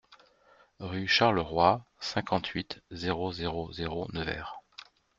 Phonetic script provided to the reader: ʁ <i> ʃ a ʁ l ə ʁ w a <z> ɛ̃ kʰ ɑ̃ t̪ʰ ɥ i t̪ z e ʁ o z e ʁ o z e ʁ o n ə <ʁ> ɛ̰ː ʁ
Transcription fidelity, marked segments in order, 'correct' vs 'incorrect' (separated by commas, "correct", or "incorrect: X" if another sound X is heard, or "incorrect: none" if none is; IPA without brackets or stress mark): incorrect: y, incorrect: s, incorrect: v